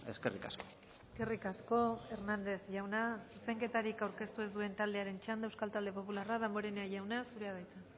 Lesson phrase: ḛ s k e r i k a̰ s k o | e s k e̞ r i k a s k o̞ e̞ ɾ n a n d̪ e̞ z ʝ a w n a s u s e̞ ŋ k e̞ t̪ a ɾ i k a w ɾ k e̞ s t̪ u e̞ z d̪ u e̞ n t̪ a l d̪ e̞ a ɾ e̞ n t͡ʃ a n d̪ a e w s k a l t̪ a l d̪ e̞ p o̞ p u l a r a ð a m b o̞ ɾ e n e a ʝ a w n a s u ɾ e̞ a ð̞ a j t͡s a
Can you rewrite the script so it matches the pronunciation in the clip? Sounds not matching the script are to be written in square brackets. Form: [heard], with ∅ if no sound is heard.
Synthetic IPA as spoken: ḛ s k e r i k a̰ s k o | e s k e̞ r i k a s k o̞ e̞ ɾ n a n d̪ e̞ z ʝ a w n a s u s e̞ ŋ k e̞ t̪ a ɾ i k a w ɾ k e̞ s t̪ u e̞ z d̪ u e̞ n t̪ a l d̪ e̞ a ɾ e̞ n t͡ʃ a n d̪ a e w s k a l t̪ a l d̪ e̞ p o̞ p u l a r a ð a m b o̞ ɾ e n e a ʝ a w n a s u ɾ e̞ a ð̞ a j t͡s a